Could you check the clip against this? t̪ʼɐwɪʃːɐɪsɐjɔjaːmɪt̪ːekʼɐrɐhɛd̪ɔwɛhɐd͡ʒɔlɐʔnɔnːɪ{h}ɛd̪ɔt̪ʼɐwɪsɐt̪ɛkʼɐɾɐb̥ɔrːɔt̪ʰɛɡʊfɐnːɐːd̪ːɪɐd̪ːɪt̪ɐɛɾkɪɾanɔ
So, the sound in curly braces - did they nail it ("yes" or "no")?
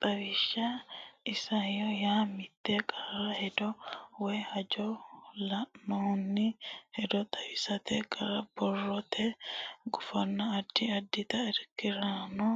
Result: yes